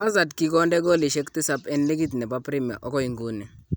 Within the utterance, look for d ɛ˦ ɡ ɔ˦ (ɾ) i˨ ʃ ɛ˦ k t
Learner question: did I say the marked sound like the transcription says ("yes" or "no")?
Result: no